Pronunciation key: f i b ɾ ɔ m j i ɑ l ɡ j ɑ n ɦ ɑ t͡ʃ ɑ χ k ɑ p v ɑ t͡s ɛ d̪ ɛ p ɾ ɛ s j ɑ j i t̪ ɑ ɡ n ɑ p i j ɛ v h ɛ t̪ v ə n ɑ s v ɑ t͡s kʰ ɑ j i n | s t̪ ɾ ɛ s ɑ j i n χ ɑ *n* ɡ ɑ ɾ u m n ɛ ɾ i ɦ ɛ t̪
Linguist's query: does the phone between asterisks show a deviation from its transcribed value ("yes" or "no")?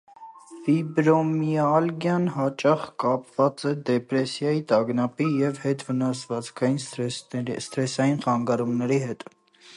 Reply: yes